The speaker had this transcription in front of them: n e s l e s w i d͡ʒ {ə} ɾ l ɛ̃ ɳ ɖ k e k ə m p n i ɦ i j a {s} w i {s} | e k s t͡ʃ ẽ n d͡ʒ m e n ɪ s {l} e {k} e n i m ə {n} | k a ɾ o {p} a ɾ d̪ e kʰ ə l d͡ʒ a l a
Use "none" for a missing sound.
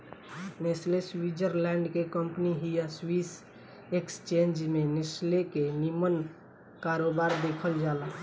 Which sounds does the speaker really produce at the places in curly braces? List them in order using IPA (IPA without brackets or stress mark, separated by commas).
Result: ə, s, s, l, k, n, b